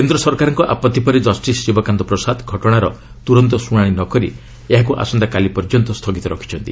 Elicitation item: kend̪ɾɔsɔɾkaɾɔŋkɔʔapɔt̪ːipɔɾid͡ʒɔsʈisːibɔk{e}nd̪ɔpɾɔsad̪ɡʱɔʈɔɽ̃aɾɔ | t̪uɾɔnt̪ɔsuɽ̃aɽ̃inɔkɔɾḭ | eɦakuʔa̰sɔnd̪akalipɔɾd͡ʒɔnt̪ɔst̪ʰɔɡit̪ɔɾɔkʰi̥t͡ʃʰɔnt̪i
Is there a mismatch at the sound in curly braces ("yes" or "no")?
yes